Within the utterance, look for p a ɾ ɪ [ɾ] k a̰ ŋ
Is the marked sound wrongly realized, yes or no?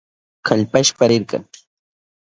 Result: no